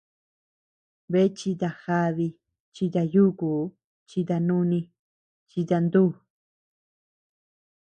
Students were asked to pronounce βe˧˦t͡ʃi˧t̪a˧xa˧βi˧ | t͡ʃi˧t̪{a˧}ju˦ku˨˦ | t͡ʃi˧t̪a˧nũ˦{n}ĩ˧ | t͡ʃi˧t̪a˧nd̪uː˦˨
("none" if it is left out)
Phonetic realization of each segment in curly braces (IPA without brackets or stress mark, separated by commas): a˧, n